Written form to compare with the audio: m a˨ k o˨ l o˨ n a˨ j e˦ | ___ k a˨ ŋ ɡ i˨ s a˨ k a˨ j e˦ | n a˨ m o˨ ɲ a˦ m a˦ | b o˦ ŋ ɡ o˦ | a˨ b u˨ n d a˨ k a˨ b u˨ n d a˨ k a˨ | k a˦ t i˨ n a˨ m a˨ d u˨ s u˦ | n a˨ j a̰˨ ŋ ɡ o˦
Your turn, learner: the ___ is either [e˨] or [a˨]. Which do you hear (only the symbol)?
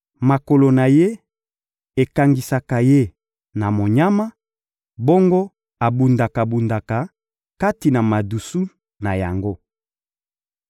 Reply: e˨